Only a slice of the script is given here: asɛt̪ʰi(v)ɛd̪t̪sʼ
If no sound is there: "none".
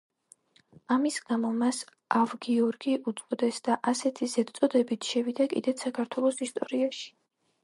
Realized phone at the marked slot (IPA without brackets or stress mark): z